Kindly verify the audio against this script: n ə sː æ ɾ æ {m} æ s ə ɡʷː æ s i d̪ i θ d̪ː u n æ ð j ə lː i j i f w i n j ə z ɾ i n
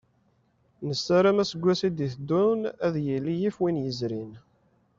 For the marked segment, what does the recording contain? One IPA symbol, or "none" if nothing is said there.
m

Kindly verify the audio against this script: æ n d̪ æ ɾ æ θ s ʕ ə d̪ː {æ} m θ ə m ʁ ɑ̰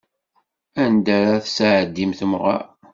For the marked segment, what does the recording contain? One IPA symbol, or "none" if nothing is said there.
i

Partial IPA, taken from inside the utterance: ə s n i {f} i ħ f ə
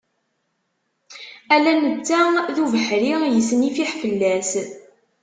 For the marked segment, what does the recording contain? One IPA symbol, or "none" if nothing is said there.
f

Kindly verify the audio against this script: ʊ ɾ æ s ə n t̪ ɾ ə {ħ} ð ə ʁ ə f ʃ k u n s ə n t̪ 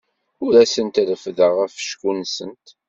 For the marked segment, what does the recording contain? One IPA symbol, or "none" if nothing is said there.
f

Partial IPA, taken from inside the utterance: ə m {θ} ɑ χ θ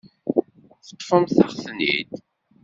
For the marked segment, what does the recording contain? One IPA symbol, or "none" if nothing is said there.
θ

